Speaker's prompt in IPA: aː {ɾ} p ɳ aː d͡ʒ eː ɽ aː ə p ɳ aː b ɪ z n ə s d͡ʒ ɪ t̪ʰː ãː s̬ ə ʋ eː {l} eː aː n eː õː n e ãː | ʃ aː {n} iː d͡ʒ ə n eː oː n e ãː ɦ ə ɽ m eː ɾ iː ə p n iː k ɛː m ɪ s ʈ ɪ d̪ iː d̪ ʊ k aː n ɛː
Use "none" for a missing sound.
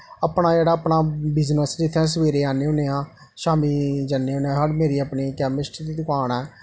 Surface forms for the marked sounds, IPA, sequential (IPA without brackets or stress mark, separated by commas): none, ɾ, m